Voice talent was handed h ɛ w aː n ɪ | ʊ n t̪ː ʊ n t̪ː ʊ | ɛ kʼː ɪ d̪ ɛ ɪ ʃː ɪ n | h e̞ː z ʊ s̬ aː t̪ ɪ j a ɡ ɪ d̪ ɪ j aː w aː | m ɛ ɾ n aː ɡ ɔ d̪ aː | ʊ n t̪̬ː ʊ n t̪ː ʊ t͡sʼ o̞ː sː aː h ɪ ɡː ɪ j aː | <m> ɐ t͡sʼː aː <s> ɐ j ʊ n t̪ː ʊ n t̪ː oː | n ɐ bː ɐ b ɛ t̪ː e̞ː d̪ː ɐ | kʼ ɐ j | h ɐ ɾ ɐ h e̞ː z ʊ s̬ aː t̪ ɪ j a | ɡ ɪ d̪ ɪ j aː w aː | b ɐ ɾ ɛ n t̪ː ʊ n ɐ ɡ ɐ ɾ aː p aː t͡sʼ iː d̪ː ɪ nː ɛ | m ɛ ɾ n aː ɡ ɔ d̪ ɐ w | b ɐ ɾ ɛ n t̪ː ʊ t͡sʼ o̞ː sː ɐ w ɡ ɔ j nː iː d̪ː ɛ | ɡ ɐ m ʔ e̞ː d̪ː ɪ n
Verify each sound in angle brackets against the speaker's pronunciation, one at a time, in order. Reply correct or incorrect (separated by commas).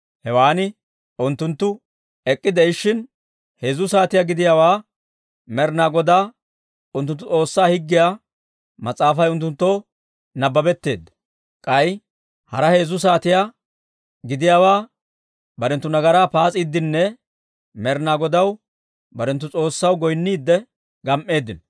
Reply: correct, incorrect